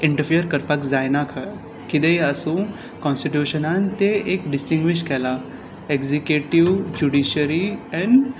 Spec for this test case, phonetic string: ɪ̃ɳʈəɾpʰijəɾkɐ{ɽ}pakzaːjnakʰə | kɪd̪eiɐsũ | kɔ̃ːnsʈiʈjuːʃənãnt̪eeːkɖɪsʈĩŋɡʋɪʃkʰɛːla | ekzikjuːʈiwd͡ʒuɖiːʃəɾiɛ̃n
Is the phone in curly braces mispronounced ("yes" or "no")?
yes